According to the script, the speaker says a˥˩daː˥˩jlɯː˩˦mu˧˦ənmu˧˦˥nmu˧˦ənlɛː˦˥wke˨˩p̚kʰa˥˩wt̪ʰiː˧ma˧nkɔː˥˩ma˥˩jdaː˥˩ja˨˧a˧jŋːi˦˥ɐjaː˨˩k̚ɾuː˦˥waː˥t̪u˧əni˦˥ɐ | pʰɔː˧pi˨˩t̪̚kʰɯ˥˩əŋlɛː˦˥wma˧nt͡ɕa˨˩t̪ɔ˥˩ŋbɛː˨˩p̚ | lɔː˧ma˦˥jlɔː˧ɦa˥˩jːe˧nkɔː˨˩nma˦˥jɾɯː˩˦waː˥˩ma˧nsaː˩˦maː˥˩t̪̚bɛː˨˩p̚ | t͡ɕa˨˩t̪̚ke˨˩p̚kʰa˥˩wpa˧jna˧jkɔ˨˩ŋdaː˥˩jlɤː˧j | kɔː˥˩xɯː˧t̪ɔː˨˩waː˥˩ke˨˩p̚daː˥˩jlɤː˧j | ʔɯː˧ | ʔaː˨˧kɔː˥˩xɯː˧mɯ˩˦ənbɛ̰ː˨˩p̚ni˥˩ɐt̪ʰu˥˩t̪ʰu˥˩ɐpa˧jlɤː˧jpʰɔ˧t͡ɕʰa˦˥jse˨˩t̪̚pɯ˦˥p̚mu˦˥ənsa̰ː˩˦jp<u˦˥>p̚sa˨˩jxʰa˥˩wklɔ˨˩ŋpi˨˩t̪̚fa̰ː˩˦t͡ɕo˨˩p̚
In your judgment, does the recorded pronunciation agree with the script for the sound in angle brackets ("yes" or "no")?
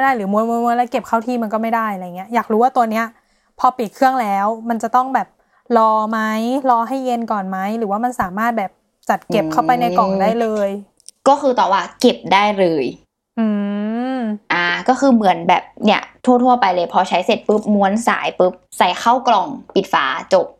no